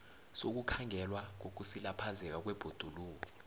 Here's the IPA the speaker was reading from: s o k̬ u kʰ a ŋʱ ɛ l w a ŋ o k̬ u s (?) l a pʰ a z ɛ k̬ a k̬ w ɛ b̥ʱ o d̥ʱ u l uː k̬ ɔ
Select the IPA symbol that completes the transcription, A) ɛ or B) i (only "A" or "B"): B